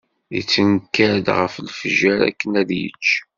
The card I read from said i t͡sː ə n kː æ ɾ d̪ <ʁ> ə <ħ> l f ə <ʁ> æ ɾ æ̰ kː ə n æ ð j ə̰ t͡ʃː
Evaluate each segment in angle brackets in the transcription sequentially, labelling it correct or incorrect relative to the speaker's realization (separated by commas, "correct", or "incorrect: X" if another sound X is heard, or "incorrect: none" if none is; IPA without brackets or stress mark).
correct, incorrect: f, incorrect: ʒ